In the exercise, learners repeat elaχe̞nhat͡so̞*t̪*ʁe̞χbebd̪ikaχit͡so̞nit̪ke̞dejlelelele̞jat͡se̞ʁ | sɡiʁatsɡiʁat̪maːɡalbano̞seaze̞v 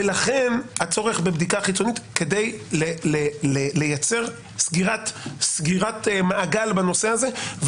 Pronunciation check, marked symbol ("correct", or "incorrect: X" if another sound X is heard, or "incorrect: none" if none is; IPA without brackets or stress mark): incorrect: none